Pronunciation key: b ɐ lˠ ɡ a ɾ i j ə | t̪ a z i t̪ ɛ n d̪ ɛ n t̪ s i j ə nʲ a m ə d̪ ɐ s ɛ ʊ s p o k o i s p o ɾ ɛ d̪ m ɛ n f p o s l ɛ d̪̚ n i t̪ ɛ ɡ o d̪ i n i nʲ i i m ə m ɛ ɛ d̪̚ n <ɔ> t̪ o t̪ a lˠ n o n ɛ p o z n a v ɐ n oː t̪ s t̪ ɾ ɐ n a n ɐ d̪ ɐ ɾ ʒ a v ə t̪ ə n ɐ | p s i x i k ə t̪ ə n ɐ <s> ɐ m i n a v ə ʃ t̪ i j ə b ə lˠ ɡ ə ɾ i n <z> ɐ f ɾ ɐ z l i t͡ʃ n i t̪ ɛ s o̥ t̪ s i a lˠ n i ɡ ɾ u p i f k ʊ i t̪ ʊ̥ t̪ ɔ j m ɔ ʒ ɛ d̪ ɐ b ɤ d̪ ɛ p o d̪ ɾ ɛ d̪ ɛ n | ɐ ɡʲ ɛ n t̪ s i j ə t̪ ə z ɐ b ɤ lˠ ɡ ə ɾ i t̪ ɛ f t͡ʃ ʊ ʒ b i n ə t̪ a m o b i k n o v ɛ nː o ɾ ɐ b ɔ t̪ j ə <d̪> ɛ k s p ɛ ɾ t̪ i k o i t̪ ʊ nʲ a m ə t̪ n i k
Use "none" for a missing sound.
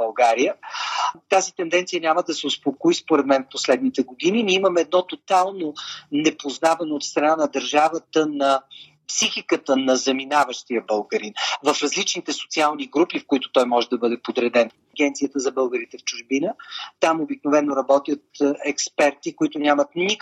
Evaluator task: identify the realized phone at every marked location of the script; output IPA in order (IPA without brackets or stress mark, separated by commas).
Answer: ɔ, z, v, t̪